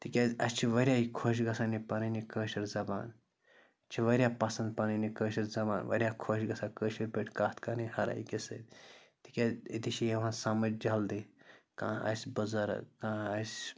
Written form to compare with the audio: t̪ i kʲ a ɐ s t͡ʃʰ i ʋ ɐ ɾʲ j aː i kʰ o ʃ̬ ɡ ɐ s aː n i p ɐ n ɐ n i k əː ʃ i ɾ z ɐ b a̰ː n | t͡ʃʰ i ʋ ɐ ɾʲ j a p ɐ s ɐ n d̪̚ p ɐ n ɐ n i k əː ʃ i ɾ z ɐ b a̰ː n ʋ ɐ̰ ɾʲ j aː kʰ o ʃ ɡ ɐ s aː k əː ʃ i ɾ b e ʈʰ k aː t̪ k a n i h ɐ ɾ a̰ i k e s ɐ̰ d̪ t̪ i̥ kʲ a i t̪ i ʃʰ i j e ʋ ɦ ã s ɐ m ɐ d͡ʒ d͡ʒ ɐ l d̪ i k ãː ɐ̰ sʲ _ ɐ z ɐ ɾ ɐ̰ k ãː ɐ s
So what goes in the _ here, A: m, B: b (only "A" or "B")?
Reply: B